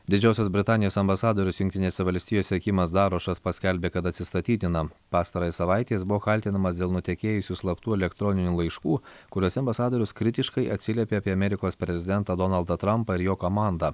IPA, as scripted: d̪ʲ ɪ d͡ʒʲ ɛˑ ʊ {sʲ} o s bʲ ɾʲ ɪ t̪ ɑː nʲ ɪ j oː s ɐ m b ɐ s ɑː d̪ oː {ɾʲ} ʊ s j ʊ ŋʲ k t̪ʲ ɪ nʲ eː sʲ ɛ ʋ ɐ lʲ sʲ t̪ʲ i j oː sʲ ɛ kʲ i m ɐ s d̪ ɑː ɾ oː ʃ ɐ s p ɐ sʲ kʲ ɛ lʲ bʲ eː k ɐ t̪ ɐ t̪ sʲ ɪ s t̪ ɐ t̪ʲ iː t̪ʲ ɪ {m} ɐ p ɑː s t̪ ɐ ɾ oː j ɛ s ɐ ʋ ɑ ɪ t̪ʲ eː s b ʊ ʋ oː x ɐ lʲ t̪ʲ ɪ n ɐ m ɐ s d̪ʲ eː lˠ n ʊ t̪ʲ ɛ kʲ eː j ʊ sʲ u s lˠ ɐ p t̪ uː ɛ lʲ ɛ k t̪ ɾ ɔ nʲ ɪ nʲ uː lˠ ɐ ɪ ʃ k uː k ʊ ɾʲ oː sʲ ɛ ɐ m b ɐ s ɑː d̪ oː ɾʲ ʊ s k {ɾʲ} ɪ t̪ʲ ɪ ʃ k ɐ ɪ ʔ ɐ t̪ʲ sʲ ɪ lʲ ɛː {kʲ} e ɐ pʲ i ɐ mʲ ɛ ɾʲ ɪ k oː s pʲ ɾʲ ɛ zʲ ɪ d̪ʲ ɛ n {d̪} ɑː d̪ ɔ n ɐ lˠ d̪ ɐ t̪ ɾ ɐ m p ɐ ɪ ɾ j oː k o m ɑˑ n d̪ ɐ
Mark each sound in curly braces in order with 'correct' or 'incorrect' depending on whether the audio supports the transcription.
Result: correct, correct, incorrect, correct, incorrect, incorrect

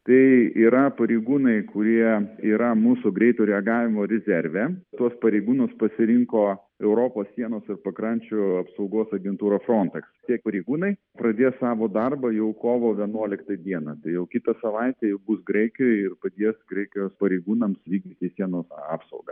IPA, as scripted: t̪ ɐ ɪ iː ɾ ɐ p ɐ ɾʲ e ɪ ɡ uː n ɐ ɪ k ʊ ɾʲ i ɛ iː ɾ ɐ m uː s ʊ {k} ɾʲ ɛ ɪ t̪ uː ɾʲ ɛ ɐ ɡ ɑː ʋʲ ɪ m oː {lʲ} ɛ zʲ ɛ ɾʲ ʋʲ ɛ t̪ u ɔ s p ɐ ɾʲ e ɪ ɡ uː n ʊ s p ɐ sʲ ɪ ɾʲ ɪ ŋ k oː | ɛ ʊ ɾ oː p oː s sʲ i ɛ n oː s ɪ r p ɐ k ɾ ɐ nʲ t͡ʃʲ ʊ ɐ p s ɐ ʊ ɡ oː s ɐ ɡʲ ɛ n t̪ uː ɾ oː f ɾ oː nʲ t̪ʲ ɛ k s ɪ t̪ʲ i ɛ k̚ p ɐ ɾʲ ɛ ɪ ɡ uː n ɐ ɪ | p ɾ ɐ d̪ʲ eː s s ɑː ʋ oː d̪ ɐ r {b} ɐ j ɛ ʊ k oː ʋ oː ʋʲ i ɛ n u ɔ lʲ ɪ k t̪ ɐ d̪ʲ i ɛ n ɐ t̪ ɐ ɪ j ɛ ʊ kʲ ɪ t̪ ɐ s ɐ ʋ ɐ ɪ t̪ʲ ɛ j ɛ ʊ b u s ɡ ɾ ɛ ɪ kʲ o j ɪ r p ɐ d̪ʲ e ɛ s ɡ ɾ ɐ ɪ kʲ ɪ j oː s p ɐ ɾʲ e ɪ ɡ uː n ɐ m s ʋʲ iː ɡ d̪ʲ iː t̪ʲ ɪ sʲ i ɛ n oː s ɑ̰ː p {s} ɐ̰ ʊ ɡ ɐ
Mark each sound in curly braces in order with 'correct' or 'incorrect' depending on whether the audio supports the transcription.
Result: incorrect, incorrect, correct, correct

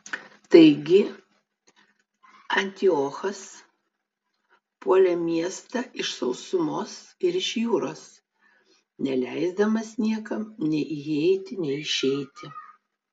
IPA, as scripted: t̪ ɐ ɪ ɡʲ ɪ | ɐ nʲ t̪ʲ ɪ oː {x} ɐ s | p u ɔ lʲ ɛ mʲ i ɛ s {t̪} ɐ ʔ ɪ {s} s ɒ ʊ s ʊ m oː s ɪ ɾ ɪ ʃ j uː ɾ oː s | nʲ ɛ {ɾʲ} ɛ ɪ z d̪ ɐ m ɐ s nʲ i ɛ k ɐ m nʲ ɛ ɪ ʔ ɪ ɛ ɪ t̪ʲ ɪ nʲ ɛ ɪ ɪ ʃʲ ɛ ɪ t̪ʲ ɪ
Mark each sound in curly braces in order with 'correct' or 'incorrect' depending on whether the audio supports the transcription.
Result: correct, correct, incorrect, incorrect

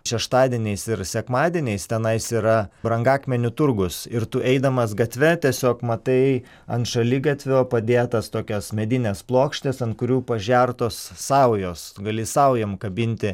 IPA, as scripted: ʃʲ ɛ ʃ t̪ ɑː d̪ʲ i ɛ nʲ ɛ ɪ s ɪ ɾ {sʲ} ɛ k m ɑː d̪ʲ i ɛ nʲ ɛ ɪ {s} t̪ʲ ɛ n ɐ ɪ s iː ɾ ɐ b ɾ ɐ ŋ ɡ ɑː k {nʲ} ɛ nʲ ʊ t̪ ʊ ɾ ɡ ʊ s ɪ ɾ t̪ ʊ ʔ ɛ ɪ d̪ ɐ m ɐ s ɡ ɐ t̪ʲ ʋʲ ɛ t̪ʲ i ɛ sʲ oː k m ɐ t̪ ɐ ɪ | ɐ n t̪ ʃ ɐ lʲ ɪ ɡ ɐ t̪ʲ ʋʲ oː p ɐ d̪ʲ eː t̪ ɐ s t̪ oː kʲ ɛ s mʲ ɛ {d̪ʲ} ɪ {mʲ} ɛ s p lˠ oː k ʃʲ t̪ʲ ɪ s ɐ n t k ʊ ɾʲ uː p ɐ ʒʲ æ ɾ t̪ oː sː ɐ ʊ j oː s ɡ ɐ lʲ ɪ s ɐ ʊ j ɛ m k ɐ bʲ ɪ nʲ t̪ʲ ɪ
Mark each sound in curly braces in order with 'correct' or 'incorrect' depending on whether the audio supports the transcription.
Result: correct, correct, incorrect, correct, incorrect

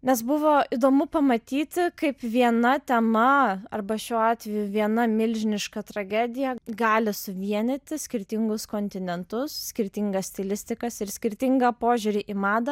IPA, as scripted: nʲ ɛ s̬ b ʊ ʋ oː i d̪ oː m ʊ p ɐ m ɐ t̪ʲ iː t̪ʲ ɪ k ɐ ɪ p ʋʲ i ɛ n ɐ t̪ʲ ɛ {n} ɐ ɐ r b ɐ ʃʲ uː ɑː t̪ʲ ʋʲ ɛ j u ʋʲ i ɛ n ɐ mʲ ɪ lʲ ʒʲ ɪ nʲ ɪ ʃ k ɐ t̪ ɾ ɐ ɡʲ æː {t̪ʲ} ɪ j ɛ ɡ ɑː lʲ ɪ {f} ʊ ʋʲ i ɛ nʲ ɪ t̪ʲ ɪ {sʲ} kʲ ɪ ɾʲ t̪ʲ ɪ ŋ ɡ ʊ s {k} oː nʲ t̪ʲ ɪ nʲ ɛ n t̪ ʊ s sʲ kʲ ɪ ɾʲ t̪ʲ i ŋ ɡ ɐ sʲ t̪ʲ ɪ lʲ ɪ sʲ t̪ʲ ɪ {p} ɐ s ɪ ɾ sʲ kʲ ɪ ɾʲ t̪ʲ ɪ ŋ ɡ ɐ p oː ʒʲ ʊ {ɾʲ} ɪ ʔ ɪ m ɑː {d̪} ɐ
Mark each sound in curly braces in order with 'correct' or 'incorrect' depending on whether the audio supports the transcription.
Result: incorrect, incorrect, incorrect, correct, correct, incorrect, correct, correct

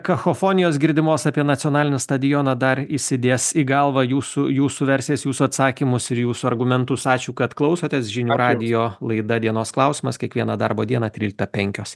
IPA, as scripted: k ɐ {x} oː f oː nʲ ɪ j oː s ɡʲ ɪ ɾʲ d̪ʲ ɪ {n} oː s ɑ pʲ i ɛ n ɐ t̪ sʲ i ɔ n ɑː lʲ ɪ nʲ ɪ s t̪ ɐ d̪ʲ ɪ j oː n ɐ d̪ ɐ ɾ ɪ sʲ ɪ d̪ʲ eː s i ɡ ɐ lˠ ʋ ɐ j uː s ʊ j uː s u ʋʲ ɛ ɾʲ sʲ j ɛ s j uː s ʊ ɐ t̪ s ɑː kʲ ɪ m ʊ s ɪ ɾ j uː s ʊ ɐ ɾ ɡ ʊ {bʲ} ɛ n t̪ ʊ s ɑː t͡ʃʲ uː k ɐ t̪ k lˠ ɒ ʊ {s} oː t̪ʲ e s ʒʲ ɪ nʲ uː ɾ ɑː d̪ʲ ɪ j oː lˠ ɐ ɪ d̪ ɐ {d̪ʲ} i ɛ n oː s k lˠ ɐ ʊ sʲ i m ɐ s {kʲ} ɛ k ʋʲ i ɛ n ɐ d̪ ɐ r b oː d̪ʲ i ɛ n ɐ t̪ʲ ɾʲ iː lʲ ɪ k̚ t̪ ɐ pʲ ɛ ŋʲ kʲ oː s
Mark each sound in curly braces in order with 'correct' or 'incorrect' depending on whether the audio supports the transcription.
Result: correct, incorrect, incorrect, correct, correct, correct

